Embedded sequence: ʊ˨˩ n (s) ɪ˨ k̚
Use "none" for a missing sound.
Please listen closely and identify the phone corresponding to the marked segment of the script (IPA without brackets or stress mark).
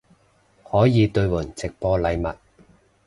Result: t͡s